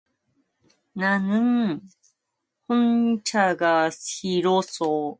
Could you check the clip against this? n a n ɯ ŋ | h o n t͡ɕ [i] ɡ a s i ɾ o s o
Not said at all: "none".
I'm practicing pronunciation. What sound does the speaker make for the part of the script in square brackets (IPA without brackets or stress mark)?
a